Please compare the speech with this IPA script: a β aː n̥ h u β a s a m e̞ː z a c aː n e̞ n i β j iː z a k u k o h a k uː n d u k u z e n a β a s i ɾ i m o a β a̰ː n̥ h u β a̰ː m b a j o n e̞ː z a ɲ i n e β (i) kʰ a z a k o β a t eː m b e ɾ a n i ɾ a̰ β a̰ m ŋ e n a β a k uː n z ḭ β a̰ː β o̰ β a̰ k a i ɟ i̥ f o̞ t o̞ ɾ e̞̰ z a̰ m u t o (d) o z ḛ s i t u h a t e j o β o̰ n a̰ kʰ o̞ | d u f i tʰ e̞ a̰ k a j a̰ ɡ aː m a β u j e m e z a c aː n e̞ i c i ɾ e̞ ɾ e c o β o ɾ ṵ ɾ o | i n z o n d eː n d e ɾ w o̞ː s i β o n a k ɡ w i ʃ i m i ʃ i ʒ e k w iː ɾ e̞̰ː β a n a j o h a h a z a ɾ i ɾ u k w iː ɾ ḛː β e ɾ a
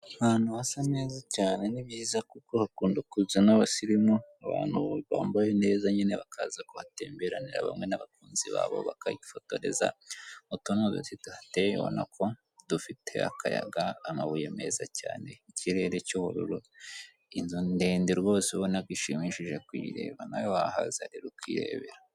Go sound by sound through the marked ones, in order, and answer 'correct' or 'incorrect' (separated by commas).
incorrect, incorrect